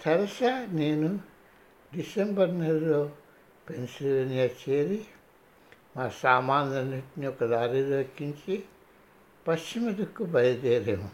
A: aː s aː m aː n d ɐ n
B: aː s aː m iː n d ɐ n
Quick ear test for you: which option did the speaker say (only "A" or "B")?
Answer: A